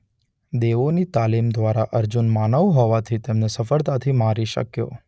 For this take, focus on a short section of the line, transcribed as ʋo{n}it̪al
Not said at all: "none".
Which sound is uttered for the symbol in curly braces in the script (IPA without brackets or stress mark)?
n